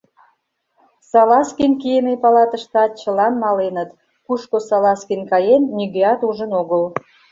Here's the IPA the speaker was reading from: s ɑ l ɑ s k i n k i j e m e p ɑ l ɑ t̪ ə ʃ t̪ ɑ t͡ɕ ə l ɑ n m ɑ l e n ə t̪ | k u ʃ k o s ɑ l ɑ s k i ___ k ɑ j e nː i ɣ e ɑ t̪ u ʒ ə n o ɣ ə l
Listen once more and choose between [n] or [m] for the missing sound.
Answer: n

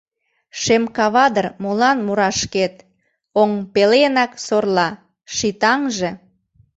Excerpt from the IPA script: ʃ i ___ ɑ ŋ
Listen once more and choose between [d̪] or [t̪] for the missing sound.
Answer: t̪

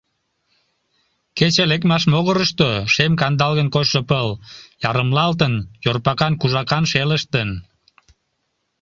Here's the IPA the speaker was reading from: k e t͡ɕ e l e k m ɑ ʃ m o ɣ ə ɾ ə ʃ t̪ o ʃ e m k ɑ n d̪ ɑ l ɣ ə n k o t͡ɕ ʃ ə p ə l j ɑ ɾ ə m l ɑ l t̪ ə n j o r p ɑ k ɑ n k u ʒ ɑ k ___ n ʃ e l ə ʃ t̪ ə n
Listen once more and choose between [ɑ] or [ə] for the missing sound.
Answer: ɑ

